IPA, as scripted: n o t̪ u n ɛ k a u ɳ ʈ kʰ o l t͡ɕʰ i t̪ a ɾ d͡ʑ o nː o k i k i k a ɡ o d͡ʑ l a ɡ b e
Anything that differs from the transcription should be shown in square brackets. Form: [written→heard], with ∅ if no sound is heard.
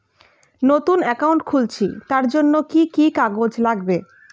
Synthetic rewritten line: n o t̪ u n ɛ k a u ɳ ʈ kʰ [o→u] l t͡ɕʰ i t̪ a ɾ d͡ʑ o nː o k i k i k a ɡ o d͡ʑ l a ɡ b e